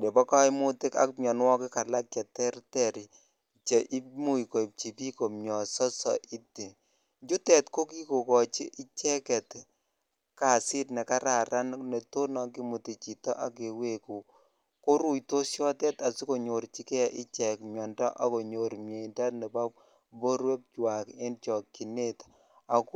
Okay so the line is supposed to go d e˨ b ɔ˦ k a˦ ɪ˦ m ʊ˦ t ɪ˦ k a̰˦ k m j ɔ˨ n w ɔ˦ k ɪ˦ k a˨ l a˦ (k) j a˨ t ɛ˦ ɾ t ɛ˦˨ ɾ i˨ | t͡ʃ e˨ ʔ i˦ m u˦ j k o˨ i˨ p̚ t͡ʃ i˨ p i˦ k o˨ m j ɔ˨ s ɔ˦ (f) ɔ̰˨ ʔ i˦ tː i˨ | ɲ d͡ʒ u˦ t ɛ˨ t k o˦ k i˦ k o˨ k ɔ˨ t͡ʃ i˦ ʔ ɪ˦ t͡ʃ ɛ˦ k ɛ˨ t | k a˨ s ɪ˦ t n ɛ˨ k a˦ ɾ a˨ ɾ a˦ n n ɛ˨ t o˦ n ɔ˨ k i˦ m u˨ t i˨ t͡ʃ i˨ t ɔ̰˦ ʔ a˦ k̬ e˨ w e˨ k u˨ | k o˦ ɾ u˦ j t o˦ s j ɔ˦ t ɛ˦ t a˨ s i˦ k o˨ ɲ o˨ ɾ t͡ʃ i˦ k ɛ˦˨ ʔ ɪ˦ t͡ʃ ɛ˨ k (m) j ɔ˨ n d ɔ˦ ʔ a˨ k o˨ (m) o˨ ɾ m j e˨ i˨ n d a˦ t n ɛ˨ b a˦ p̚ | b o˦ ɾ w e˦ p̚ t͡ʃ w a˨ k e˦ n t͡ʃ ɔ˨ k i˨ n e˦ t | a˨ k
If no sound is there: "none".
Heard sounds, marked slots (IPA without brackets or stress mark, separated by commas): k, s, m, ɲ